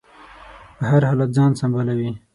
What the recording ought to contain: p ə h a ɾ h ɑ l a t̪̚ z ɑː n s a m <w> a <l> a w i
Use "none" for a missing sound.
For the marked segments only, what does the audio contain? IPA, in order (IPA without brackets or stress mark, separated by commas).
b, l